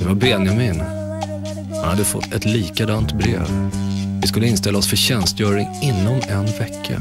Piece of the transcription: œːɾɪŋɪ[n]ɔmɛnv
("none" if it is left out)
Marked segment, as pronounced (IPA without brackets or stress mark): nː